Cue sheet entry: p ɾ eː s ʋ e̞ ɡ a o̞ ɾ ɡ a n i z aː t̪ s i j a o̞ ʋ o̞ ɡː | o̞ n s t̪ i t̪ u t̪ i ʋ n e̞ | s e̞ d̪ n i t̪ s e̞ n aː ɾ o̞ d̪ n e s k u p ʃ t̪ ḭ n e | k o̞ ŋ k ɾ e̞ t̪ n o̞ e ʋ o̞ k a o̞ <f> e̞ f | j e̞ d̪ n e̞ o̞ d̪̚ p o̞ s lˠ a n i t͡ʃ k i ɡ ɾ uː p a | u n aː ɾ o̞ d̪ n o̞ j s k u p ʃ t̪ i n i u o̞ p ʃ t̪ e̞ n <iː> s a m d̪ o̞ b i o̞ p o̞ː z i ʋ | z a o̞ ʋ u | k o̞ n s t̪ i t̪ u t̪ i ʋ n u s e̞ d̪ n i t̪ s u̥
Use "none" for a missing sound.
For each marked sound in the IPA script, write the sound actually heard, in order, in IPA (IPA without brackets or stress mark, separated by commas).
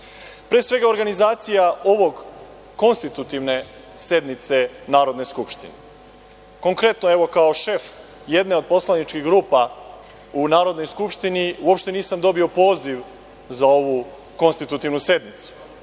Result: ʃ, iː